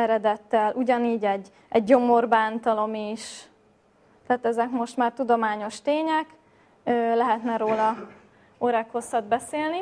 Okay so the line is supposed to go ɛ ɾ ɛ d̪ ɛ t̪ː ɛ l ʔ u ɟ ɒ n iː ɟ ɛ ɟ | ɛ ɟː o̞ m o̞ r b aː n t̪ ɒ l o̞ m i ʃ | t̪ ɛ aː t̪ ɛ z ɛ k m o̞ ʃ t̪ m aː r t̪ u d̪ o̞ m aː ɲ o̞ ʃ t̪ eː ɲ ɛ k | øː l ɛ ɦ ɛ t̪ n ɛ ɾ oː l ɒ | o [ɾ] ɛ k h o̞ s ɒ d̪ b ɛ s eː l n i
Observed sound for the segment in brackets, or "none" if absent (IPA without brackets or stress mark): ɾ